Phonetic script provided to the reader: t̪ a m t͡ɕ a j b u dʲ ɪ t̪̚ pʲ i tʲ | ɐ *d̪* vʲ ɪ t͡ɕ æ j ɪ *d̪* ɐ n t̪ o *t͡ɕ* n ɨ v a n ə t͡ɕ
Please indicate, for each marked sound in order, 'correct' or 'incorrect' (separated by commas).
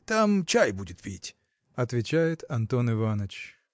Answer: incorrect, incorrect, incorrect